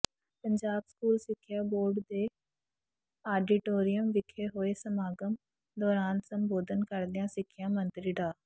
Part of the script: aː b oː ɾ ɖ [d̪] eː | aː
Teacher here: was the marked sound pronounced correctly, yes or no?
yes